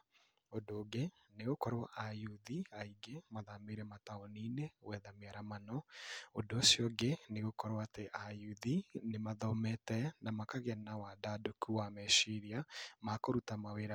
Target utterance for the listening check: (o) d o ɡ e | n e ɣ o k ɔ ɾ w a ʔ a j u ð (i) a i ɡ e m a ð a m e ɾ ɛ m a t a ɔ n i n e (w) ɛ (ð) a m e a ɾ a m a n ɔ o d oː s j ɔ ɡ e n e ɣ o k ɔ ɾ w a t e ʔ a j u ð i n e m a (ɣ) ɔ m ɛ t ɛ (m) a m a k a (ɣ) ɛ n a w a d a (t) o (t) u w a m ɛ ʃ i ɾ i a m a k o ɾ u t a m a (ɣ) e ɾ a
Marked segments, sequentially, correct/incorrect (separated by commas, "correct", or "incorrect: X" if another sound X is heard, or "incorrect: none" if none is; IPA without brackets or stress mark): correct, correct, correct, correct, incorrect: ð, incorrect: n, correct, incorrect: d, incorrect: k, incorrect: w